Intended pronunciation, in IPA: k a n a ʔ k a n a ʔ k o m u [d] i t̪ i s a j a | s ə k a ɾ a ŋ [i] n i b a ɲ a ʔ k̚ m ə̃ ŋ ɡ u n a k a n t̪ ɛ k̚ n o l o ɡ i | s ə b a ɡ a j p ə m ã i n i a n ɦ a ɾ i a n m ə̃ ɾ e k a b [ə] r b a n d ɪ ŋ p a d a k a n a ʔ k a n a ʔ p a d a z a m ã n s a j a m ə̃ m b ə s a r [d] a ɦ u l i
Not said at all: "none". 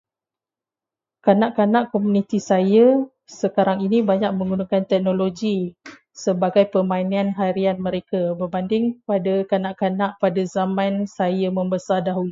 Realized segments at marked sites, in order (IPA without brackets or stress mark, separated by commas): n, i, ə, d